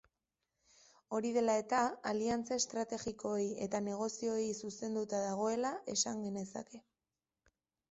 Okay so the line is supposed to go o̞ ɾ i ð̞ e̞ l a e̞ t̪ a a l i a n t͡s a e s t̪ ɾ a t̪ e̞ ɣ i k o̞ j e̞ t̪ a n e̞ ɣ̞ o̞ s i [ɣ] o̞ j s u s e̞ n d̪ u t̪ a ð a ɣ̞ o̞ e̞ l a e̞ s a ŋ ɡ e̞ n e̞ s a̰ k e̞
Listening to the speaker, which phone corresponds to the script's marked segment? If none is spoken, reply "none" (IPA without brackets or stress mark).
none